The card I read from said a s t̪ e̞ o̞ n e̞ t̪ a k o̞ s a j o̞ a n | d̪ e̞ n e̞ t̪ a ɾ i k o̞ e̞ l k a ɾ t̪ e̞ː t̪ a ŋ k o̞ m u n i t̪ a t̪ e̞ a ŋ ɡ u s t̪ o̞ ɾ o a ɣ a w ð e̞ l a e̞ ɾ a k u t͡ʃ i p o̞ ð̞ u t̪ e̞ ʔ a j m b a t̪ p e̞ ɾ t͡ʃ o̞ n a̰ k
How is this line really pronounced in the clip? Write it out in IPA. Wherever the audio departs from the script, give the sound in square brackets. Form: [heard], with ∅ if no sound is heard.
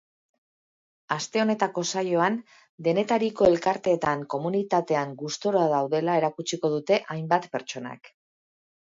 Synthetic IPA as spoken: a s t̪ e̞ o̞ n e̞ t̪ a k o̞ s a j o̞ a n | d̪ e̞ n e̞ t̪ a ɾ i k o̞ e̞ l k a ɾ t̪ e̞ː t̪ a ŋ k o̞ m u n i t̪ a t̪ e̞ a ŋ ɡ u s t̪ o̞ ɾ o a [ð] a w ð e̞ l a e̞ ɾ a k u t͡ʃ i [k] o̞ ð̞ u t̪ e̞ ʔ a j m b a t̪ p e̞ ɾ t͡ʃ o̞ n a̰ k